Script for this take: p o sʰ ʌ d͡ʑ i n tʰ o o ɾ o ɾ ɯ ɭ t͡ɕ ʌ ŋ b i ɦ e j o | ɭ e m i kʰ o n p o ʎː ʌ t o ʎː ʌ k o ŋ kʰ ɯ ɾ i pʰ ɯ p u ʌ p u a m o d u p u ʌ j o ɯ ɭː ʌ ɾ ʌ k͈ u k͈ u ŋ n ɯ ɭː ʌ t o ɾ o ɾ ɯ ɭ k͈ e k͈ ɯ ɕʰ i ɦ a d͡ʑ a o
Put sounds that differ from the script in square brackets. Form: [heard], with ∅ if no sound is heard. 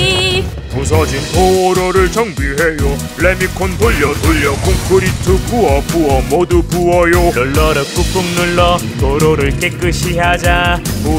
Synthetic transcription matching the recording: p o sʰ ʌ d͡ʑ i n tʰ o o ɾ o ɾ ɯ ɭ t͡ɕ ʌ ŋ b i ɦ e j o | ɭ e m i kʰ o n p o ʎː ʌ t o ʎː ʌ k o ŋ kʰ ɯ ɾ i [tʰ] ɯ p u ʌ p u [ʌ] m o d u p u ʌ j o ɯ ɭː ʌ ɾ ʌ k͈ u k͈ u ŋ n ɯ ɭː ʌ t o ɾ o ɾ ɯ ɭ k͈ e k͈ ɯ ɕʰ i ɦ a d͡ʑ a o